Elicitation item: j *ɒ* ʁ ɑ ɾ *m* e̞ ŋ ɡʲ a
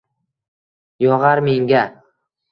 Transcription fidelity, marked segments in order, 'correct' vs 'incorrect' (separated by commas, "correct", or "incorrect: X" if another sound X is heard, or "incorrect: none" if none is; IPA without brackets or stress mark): correct, correct